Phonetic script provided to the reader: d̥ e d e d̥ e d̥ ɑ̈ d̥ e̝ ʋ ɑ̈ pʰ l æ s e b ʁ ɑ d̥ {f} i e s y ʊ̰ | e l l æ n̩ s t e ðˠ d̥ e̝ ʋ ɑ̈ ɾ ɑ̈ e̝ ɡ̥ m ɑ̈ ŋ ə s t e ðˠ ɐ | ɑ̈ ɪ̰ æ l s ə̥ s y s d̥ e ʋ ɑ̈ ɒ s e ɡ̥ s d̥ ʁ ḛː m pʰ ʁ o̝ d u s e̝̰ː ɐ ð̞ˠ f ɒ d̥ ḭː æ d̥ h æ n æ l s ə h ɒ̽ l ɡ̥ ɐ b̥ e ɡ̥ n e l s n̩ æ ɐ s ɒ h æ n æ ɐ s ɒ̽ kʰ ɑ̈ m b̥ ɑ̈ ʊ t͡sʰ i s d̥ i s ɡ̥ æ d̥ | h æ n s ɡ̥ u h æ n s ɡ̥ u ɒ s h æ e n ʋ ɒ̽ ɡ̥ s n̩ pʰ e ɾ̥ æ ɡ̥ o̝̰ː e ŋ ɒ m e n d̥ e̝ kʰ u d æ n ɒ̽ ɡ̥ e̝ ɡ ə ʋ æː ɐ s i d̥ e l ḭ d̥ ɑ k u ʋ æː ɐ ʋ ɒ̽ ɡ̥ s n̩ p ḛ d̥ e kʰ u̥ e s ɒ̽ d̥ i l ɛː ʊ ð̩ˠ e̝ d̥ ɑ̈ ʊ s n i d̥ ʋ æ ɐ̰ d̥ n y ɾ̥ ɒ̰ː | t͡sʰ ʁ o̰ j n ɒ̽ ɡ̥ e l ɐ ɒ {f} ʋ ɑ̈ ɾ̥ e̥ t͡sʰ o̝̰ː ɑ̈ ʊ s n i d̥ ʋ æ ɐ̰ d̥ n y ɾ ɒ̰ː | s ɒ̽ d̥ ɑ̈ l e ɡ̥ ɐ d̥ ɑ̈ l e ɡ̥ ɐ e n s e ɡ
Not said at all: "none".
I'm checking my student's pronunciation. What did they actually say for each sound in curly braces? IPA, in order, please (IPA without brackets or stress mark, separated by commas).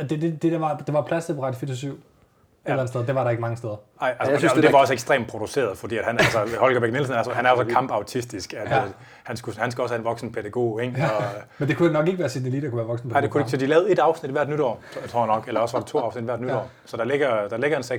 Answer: f, s